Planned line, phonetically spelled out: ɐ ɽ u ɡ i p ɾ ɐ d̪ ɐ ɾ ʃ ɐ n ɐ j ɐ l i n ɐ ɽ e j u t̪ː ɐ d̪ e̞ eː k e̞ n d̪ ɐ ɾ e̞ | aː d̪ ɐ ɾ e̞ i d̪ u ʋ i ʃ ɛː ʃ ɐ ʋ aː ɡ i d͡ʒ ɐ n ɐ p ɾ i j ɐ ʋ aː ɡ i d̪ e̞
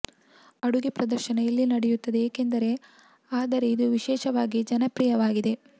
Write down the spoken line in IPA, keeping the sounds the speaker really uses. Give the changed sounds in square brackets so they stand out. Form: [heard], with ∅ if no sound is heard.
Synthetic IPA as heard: ɐ ɽ u ɡ i p ɾ ɐ d̪ ɐ ɾ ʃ ɐ n ɐ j ɐ [lː] i n ɐ ɽ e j u t̪ː ɐ d̪ e̞ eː k e̞ n d̪ ɐ ɾ e̞ | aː d̪ ɐ ɾ e̞ i d̪ u ʋ i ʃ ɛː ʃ ɐ ʋ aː ɡ i d͡ʒ ɐ n ɐ p ɾ i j ɐ ʋ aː ɡ i d̪ e̞